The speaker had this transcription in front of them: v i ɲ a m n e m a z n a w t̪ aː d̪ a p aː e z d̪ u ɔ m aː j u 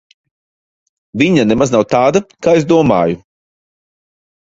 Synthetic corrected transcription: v i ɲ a n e m a z n a w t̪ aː d̪ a k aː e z d̪ u ɔ m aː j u